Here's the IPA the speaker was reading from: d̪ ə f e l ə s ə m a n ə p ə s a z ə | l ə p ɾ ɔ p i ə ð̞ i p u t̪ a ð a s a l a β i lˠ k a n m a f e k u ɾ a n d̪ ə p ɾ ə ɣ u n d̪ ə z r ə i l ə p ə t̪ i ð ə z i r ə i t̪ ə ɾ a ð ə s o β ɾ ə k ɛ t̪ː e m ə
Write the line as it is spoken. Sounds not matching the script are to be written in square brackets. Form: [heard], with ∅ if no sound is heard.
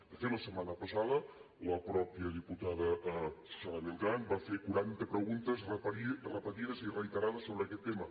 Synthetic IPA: d̪ ə f e l ə s ə m a n ə p ə s a [ð] ə | l ə p ɾ ɔ p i ə ð̞ i p u t̪ a ð [ə] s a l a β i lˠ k a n [b] a f e k u ɾ a n [t̪] ə p ɾ ə ɣ u n [t̪] ə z r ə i [r] ə p ə t̪ i ð ə z i r ə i t̪ ə ɾ a ð ə s o β ɾ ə k ɛ t̪ː e m ə

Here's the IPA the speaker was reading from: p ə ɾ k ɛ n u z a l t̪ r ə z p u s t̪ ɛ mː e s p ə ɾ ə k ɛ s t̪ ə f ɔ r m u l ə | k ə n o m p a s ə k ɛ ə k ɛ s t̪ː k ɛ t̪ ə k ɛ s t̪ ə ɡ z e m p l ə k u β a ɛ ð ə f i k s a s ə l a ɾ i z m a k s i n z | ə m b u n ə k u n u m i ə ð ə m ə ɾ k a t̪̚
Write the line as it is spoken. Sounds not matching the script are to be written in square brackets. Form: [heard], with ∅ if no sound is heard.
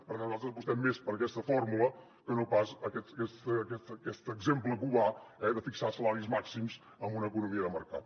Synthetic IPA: p ə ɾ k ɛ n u z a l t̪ [ɾ] ə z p u s t̪ ɛ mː e s p ə ɾ ə k ɛ s t̪ ə f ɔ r m u l ə | k ə n o [∅] p a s ə k ɛ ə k ɛ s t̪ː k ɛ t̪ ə k ɛ s t̪ ə ɡ z e m p l ə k u β a ɛ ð ə f i k s a s ə l a ɾ i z m a k s i [m] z | ə m b u n ə k u n u m i ə ð ə m ə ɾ k a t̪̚

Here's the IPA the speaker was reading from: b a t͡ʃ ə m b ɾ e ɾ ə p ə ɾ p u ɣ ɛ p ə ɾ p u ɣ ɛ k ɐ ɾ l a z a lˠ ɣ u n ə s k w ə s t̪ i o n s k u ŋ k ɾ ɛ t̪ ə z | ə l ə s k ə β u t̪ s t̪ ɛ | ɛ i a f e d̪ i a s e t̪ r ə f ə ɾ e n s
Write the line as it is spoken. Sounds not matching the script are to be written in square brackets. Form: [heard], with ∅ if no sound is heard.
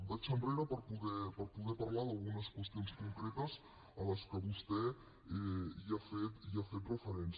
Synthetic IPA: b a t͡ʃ ə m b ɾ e ɾ ə p ə ɾ p u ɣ ɛ p ə ɾ p u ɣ ɛ [p] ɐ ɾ l a [ð] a lˠ ɣ u n ə s k w ə s t̪ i o n s k u ŋ k ɾ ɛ t̪ ə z | ə l ə s k ə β u [∅] s t̪ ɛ | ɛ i a f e [t̪] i a [f] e t̪ r ə f ə ɾ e n s

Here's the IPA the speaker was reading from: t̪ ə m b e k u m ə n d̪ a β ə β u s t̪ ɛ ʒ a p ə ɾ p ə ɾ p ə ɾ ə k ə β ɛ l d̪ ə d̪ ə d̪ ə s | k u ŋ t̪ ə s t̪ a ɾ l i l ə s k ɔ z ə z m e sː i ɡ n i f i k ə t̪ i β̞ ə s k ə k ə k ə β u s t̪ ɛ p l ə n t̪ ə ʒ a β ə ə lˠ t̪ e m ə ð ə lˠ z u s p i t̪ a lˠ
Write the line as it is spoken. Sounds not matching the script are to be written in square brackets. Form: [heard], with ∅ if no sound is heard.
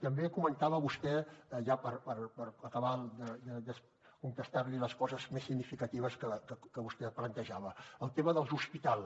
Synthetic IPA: t̪ ə m b e k u m ə n [t̪] a β ə β u s t̪ ɛ ʒ a p ə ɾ p ə ɾ p ə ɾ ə k ə β [a] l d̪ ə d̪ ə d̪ ə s | k u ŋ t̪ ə s t̪ a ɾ l i l ə s k ɔ z ə z m e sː i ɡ n i f i k ə t̪ i β̞ ə s k ə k ə k ə β u s t̪ ɛ p l ə n t̪ ə ʒ a β ə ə lˠ t̪ e m ə ð ə lˠ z u s p i t̪ a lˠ

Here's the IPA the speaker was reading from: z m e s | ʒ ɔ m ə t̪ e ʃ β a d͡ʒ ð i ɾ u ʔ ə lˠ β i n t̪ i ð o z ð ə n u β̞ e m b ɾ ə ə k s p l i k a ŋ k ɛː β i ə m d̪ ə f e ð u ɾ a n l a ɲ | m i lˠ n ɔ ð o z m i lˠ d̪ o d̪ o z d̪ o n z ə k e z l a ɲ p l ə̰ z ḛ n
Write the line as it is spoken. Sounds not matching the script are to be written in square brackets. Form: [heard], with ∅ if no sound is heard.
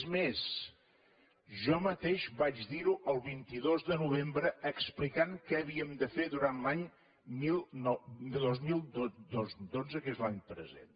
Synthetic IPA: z m e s | ʒ ɔ m ə t̪ e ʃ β a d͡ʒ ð i ɾ u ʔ ə lˠ β i n t̪ i ð o z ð ə n u β̞ e m b ɾ ə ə k s p l i k a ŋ k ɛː β i ə m d̪ ə f e ð u ɾ a n l a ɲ | m i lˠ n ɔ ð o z m i lˠ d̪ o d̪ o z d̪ o n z ə k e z l a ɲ p [ɾ] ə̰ z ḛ n

